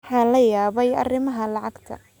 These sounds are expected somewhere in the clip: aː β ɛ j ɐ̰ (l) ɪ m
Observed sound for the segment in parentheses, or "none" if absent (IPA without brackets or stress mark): r